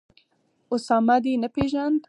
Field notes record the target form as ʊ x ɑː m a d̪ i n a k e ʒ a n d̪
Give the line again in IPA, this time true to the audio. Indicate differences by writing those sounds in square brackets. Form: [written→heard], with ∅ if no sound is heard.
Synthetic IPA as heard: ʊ [x→s] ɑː m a d̪ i n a [k→p] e ʒ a n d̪